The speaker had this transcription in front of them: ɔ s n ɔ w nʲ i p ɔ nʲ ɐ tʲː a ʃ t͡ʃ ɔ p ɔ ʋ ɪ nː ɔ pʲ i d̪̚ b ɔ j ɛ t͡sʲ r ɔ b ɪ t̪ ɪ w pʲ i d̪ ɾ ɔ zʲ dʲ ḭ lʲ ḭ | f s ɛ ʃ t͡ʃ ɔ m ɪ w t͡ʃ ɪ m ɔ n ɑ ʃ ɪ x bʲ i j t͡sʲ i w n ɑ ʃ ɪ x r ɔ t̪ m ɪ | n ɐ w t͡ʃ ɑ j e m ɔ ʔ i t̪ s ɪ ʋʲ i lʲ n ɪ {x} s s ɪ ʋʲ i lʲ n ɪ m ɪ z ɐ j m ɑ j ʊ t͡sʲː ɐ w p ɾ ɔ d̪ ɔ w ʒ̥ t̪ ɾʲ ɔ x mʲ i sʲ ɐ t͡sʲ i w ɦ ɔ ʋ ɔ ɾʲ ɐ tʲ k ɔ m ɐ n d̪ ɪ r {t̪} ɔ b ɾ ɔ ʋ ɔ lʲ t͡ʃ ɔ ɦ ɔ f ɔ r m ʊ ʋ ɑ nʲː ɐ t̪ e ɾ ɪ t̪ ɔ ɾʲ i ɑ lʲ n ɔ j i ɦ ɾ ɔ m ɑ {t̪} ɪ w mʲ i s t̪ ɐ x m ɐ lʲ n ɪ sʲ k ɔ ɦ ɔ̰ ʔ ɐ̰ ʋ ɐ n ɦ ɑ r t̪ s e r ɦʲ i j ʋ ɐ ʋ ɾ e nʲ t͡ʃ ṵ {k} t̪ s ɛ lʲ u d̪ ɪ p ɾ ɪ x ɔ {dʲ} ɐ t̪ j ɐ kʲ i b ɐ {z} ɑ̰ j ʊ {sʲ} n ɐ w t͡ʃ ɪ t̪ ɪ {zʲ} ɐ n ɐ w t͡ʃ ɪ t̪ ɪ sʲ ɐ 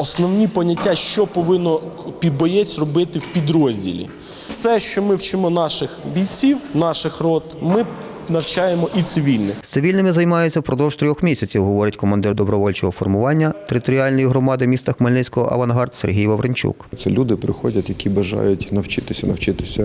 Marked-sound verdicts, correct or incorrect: correct, incorrect, incorrect, correct, correct, incorrect, incorrect, incorrect

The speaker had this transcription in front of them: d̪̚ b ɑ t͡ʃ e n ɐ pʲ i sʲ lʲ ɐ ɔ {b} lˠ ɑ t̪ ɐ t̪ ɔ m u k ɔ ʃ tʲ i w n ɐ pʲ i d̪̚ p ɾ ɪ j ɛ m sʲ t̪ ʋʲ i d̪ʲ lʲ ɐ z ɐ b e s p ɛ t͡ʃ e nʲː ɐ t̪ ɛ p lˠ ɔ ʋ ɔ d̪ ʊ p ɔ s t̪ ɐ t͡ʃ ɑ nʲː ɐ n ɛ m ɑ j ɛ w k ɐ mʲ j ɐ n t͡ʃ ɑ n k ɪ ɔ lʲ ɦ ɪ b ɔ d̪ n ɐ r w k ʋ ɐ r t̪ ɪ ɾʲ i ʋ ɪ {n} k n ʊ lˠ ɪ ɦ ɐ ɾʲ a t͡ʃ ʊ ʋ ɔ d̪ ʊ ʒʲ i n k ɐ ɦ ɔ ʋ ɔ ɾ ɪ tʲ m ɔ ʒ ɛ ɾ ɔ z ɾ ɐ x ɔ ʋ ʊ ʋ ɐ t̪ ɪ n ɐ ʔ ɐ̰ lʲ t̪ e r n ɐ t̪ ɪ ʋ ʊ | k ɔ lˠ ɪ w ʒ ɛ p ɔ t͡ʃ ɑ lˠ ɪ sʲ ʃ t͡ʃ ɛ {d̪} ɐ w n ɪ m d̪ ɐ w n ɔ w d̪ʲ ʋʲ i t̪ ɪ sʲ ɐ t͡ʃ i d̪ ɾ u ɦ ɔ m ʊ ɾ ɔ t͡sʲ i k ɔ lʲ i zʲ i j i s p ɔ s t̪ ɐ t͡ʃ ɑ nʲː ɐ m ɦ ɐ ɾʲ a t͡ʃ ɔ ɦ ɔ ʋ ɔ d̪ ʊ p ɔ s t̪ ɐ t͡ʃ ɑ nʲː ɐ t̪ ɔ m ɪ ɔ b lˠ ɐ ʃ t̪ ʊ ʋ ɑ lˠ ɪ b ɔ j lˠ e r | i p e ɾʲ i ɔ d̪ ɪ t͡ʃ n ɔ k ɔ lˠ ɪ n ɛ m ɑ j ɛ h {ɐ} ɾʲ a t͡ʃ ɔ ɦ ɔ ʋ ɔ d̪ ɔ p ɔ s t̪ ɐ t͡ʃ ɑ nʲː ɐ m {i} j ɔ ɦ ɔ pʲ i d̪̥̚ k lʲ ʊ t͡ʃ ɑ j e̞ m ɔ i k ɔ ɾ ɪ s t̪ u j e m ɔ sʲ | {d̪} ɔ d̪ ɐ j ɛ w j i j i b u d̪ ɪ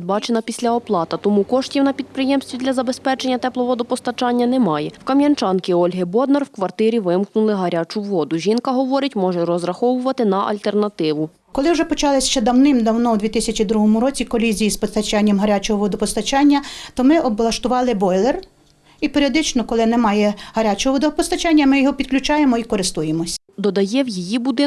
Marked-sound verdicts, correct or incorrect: incorrect, incorrect, correct, correct, incorrect, correct

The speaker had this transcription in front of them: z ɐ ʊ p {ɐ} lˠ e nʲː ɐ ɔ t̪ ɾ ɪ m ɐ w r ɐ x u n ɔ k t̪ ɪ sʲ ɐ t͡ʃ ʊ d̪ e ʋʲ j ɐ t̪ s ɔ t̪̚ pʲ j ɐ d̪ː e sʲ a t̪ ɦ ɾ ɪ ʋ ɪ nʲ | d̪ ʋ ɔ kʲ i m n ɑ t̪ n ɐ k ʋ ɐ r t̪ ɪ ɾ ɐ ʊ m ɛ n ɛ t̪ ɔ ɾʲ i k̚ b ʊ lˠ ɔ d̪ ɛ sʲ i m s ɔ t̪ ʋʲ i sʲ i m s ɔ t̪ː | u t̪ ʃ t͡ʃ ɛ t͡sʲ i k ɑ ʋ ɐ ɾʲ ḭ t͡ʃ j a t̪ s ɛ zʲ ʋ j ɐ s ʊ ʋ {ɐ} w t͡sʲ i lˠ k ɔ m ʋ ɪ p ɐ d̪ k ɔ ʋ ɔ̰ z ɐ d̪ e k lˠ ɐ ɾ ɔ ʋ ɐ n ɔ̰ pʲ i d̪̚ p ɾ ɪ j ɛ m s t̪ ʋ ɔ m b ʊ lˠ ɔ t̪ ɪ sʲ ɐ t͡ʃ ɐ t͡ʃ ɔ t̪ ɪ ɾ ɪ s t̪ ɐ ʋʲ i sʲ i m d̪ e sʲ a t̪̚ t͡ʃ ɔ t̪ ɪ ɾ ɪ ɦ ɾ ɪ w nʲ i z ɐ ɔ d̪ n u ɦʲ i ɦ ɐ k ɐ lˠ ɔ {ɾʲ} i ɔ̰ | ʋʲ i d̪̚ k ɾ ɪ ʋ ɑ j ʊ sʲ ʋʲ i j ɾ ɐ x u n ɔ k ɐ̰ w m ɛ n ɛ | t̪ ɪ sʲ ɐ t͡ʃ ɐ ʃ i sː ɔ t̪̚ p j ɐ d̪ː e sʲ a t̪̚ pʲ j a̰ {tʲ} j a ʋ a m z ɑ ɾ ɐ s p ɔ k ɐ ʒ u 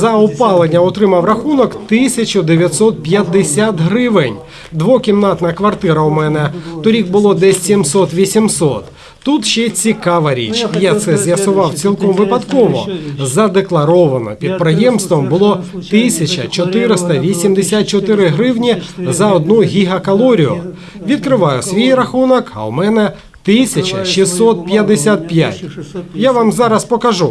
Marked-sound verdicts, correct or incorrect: incorrect, incorrect, correct, correct

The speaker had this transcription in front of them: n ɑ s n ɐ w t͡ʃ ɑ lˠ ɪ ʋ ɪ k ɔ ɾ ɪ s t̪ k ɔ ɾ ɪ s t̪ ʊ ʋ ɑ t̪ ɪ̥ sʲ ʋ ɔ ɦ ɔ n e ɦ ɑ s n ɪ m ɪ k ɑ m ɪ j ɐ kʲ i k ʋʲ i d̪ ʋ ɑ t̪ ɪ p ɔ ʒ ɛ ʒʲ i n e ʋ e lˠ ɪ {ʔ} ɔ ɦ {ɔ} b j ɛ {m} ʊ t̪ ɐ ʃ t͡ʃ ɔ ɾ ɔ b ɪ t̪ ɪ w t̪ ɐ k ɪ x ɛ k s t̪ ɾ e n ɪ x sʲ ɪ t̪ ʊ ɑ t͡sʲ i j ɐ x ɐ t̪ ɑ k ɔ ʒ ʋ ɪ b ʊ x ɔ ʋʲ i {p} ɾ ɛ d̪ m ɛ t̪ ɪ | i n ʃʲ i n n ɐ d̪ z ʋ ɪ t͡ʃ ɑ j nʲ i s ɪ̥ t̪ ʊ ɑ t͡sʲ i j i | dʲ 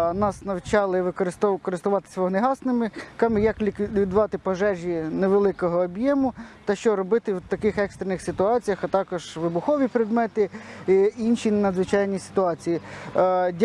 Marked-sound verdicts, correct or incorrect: incorrect, incorrect, correct, correct

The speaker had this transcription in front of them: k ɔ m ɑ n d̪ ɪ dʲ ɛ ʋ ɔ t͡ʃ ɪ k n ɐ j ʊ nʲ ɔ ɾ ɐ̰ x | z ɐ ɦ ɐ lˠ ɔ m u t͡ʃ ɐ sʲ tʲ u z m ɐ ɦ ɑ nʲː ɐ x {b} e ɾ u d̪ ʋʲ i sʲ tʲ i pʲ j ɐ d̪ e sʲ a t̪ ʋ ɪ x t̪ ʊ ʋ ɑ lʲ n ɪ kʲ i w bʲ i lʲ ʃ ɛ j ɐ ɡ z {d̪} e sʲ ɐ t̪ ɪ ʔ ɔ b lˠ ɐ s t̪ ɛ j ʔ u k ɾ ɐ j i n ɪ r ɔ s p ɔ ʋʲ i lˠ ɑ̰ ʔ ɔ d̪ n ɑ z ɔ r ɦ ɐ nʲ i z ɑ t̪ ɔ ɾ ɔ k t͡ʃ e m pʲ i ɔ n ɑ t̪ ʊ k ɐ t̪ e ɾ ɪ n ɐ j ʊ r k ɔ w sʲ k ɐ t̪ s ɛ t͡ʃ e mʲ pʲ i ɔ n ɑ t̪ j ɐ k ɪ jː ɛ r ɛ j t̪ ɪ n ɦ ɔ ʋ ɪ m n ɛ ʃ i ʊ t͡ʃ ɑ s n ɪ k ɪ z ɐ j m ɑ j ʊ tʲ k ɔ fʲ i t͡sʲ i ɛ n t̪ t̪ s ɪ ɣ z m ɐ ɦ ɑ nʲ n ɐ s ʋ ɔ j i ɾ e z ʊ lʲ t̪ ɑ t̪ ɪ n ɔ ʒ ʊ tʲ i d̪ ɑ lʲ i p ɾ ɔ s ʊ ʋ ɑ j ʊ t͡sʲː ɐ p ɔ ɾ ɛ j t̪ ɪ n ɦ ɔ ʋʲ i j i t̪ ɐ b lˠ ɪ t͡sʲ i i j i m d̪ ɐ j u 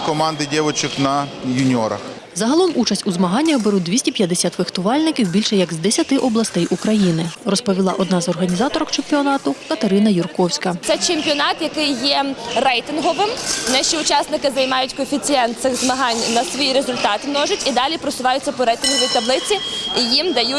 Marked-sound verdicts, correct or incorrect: correct, correct

